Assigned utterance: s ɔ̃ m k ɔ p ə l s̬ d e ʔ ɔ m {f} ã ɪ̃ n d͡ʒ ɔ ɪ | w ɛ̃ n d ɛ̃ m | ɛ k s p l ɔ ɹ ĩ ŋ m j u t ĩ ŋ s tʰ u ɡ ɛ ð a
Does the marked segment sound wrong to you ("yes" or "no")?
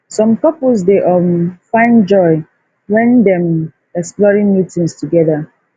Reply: no